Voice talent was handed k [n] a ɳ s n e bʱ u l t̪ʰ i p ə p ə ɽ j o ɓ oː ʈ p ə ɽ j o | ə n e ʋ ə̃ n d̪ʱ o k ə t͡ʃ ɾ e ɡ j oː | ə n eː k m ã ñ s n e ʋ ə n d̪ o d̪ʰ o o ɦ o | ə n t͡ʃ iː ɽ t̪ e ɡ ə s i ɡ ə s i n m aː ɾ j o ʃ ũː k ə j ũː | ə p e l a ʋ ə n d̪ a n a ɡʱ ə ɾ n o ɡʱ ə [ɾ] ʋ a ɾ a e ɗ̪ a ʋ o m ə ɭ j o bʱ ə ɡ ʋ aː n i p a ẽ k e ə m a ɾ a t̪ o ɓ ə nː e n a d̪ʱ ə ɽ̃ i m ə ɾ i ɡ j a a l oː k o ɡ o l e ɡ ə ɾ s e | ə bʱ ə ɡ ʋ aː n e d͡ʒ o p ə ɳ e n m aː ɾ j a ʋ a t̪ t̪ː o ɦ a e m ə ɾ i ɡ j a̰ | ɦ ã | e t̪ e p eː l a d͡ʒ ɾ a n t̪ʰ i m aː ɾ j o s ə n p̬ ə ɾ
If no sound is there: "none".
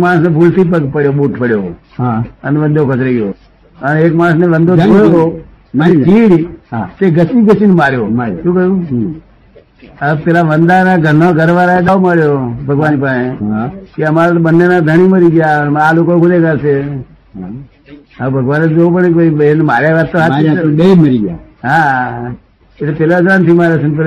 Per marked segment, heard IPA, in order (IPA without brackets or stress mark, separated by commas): m, ɾ